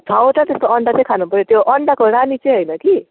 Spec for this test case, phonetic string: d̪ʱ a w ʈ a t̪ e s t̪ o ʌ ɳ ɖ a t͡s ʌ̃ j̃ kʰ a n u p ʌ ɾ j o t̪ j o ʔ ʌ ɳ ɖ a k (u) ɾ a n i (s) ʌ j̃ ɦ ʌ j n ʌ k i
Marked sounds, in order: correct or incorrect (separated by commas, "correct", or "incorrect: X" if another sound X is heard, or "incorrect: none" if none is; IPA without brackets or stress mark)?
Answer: incorrect: o, incorrect: t͡s